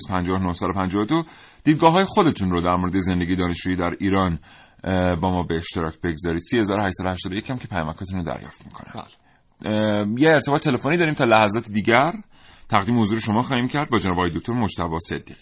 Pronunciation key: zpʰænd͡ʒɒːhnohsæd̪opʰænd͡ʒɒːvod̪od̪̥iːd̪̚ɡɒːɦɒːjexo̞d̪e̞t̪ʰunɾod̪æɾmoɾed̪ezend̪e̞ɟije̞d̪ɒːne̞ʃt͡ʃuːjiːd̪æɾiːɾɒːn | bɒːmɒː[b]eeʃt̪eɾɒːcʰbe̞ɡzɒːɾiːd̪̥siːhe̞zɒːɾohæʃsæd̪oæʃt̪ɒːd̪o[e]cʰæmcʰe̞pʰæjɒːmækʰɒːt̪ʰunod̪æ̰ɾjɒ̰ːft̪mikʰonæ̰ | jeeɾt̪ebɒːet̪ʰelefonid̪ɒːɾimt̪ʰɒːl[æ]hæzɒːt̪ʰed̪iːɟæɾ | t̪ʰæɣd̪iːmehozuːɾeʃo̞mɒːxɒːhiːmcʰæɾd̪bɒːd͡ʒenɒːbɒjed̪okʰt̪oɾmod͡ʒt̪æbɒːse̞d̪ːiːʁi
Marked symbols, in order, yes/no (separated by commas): yes, yes, yes